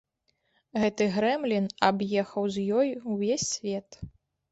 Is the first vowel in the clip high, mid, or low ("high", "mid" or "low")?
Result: mid